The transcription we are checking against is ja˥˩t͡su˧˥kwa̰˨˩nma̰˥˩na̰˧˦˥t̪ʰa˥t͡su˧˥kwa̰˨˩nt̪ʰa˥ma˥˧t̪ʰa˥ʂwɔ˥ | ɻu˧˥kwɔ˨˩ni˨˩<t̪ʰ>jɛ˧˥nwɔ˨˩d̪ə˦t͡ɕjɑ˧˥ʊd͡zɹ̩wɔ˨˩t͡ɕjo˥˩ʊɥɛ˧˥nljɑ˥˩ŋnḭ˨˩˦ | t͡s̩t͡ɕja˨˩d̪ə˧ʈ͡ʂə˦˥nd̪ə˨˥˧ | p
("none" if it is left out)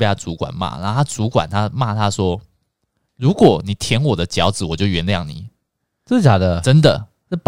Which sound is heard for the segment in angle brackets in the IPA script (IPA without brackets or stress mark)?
t̪ʰ